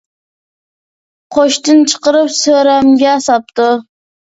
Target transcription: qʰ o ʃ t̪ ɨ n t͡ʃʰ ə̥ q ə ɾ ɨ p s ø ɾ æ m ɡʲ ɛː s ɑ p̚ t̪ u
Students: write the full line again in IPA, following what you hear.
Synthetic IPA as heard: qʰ o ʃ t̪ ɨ n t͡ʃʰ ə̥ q ə ɾ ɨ p s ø ɾ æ m ɡʲ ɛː s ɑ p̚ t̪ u

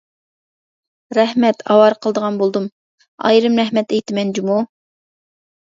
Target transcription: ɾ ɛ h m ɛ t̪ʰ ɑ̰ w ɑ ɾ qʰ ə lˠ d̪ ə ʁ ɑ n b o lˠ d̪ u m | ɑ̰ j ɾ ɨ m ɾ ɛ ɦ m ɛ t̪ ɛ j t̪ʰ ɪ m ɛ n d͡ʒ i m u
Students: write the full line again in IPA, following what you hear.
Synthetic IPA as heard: ɾ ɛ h m ɛ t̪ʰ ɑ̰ w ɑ ɾ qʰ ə lˠ d̪ ə ʁ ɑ n b o lˠ d̪ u m | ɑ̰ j ɾ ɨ m ɾ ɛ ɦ m ɛ t̪ ɛ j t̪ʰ ɪ m ɛ n d͡ʒ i m u

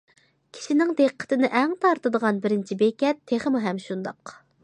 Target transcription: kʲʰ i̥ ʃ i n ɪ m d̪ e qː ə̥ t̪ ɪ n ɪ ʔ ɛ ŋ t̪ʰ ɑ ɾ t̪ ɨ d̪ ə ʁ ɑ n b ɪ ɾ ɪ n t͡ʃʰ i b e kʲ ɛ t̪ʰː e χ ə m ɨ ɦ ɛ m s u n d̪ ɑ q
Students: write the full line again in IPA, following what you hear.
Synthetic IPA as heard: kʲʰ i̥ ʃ i n ɪ ŋ d̪ e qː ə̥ t̪ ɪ n ɪ ʔ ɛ ŋ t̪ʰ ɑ ɾ t̪ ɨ d̪ ə ʁ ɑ n b ɪ ɾ ɪ n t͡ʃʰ i b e kʲ ɛ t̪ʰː e χ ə m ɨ ɦ ɛ m ʃ u n d̪ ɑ q

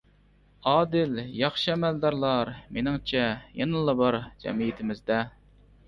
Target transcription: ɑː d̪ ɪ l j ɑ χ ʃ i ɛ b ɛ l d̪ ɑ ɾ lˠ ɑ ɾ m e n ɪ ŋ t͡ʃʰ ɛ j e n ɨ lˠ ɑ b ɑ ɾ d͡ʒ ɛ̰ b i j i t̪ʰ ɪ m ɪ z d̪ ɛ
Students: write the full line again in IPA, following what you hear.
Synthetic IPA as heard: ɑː d̪ ɪ l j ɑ χ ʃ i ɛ m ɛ l d̪ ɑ ɾ lˠ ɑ ɾ m e n ɪ ŋ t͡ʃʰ ɛ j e n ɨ lˠ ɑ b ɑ ɾ d͡ʒ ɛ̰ m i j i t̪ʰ ɪ m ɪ z d̪ ɛ

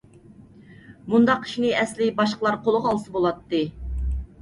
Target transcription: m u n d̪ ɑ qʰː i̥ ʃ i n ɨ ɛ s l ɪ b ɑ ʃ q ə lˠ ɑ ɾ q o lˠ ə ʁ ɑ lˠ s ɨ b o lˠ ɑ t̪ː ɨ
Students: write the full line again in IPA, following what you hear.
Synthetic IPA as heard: m u n d̪ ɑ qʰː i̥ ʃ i n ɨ ɛ s l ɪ b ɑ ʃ q ə lˠ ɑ ɾ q o lˠ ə ʁ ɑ lˠ s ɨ b o lˠ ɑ t̪ː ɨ

